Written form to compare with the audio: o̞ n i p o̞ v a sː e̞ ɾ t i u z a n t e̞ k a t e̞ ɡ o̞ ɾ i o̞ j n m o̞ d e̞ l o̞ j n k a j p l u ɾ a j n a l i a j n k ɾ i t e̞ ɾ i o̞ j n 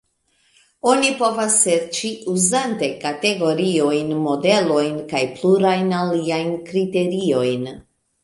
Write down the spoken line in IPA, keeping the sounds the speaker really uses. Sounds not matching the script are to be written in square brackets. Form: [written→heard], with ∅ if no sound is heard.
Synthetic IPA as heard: o̞ n i p o̞ v a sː e̞ ɾ [t→t͡ʃ] i u z a n t e̞ k a t e̞ ɡ o̞ ɾ i o̞ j n m o̞ d e̞ l o̞ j n k a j p l u ɾ a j n a l i a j n k ɾ i t e̞ ɾ i o̞ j n